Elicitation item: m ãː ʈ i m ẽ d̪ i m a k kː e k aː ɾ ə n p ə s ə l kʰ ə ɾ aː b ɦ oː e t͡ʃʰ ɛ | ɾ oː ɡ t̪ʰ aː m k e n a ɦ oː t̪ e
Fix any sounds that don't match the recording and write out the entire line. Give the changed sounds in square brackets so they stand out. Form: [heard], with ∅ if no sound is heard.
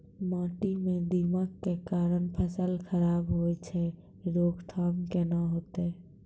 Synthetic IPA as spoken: m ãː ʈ i m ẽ d̪ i m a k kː e k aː ɾ ə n [pʰ] ə s ə l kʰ ə ɾ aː b ɦ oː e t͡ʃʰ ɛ | ɾ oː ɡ t̪ʰ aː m k e n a ɦ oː t̪ e